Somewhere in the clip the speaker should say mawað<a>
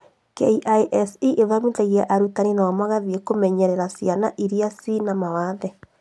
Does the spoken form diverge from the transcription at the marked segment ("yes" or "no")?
yes